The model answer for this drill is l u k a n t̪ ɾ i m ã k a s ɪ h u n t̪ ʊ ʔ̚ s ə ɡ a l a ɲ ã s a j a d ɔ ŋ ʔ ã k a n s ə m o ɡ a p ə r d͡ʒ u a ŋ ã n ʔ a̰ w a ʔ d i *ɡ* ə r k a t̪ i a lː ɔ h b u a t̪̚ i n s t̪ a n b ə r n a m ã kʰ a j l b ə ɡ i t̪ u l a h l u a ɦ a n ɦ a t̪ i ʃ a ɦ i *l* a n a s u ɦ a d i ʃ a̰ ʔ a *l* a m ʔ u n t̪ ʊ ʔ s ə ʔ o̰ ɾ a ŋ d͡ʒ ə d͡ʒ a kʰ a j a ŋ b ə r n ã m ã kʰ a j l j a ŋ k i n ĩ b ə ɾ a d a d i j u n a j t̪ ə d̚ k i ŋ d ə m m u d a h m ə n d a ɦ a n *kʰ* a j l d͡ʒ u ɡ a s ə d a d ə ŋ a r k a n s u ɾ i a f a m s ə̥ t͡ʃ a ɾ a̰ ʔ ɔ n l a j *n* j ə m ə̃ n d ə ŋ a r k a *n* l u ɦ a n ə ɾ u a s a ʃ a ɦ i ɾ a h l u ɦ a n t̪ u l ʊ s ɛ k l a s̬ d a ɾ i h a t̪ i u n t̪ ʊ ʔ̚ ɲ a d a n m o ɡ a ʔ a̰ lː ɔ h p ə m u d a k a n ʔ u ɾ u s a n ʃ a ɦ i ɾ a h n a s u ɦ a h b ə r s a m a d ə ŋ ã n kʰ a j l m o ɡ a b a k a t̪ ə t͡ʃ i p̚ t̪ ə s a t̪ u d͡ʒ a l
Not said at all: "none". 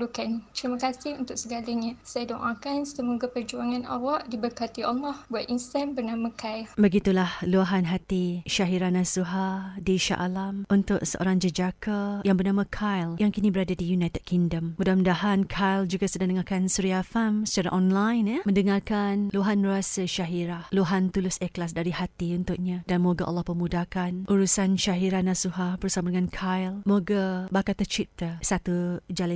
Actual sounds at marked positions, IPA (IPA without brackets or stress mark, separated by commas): b, ɾ, l, kʰ, n, n